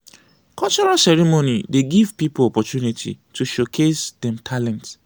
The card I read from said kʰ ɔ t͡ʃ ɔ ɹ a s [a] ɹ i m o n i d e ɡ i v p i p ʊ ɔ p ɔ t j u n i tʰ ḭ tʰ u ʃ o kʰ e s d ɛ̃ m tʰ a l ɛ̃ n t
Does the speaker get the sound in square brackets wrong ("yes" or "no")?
yes